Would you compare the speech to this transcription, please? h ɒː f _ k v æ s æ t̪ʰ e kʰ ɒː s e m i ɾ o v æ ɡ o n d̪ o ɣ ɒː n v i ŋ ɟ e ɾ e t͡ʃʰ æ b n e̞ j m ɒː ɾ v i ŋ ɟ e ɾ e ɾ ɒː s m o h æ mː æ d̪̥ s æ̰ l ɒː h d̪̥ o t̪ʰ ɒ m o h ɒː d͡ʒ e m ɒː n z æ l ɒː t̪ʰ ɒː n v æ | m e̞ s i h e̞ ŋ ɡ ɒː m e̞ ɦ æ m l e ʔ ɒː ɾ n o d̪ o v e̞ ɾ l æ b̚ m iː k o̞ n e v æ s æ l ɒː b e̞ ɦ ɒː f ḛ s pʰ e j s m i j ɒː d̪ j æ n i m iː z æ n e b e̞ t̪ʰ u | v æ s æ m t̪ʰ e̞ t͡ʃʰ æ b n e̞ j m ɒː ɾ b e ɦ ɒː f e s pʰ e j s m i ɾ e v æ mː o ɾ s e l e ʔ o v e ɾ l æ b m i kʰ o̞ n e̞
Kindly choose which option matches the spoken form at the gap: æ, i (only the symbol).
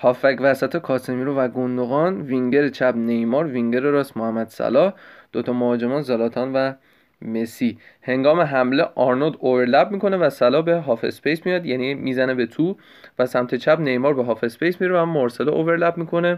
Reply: æ